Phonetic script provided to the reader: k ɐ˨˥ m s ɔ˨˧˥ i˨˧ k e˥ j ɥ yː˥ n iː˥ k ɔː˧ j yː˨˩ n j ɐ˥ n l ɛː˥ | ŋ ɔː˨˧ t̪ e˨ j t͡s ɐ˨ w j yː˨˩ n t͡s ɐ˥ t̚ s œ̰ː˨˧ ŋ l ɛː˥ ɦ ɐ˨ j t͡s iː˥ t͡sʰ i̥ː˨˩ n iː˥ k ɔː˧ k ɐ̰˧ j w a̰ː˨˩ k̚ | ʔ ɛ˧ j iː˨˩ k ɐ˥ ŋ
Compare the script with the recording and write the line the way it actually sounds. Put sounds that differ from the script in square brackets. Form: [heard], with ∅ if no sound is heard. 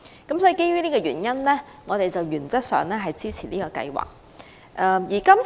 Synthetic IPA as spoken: k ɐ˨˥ m s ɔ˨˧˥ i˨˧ k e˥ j ɥ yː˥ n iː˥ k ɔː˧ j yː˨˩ n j ɐ˥ n l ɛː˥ | ŋ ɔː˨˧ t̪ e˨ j t͡s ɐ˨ w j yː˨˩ n t͡s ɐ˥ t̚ s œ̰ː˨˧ ŋ l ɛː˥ ɦ ɐ˨ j t͡s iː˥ t͡sʰ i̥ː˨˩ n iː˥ k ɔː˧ k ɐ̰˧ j w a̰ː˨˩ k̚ | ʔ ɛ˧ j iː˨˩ k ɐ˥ [m]